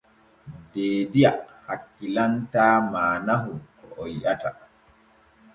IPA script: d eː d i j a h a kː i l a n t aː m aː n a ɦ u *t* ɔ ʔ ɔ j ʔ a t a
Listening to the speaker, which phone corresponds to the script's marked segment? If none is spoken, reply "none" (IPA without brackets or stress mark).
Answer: k